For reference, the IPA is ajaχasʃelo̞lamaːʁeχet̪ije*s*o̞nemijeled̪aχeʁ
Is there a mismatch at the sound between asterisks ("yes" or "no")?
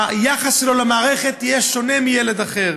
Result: yes